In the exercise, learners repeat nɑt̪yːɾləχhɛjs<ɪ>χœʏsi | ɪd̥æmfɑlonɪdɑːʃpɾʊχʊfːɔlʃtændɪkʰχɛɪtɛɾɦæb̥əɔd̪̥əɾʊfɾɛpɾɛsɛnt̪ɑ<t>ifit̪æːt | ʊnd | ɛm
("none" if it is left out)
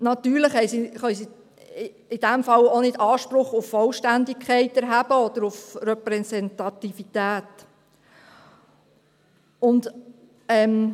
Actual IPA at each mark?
i, t

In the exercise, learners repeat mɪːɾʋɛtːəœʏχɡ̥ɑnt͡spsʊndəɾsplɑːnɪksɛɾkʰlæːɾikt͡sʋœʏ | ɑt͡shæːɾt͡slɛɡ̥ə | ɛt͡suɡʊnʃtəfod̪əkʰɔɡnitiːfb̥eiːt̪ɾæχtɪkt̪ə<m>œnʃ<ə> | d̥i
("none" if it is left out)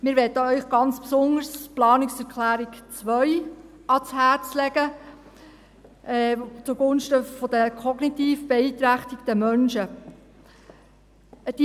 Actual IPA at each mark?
m, ə

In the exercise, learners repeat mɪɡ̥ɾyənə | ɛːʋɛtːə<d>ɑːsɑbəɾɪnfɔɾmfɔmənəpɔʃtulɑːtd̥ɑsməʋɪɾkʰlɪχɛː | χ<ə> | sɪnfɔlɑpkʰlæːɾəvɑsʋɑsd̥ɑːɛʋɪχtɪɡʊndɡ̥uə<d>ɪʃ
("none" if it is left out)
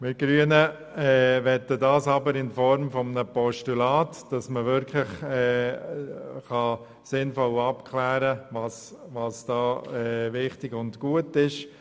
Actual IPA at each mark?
d, ɑ, t

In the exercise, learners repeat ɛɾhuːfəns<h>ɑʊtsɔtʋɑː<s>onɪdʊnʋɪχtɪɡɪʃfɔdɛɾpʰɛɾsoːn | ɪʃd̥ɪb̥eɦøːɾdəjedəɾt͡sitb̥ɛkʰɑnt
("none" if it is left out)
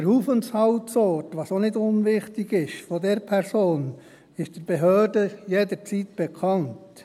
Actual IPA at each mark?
h, s

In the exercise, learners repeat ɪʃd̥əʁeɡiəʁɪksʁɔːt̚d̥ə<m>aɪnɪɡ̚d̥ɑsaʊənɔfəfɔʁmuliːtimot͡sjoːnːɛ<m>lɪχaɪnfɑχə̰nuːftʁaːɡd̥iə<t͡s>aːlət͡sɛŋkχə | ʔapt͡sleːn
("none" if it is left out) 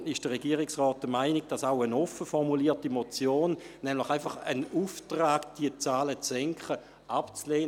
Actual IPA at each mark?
m, m, t͡s

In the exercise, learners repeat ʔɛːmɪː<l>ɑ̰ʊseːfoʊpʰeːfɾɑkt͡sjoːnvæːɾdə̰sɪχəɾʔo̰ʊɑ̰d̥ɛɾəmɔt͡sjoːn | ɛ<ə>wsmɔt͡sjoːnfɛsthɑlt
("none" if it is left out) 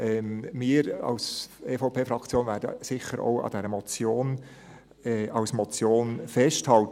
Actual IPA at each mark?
ɾ, ɑ

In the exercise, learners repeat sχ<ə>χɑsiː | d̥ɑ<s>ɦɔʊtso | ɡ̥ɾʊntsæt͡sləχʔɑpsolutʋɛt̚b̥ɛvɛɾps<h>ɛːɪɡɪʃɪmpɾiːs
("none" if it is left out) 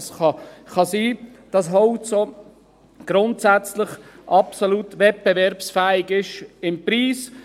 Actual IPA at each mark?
ɑ, s, f

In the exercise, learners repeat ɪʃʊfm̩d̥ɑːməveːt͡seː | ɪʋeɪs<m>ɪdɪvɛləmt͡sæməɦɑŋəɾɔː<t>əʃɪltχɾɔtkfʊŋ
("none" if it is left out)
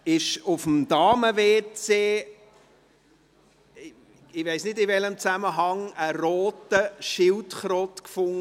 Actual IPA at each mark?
n, t

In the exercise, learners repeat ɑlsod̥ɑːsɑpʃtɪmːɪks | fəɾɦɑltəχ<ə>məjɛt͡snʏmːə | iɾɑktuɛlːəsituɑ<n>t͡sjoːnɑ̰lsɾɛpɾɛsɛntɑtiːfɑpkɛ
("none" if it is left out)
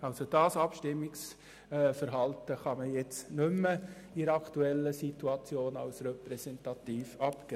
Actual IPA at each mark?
ɑ, none

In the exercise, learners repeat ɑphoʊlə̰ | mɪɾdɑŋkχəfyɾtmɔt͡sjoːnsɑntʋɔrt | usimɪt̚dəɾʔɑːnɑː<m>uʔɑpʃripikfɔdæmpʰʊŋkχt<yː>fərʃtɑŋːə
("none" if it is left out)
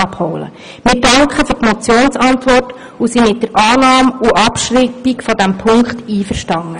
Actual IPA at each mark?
m, iː

